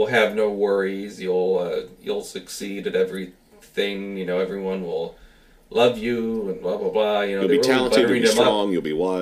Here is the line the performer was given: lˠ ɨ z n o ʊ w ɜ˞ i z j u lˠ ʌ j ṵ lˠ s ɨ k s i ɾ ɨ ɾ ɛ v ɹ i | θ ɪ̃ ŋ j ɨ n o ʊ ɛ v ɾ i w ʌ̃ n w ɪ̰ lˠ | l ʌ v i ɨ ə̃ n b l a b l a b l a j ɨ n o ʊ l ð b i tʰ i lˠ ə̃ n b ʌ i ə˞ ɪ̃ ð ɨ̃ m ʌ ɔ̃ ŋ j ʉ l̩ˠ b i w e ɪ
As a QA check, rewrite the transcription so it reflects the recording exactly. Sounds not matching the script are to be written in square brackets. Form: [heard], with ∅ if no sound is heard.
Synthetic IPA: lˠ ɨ [v] n o ʊ w ɜ˞ i z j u lˠ ʌ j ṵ lˠ s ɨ k s i ɾ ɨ ɾ ɛ v ɹ i | θ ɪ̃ ŋ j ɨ n o ʊ ɛ v [ɹ] i w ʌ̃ n w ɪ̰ lˠ | l ʌ v [j] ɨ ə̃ n b l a b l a b l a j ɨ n o ʊ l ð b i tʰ [æ] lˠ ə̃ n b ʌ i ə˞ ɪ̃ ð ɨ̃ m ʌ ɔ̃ ŋ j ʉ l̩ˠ b i w [a] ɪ